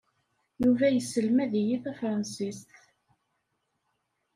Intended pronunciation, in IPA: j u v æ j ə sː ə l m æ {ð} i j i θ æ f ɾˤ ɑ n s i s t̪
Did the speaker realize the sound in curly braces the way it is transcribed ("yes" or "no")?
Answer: yes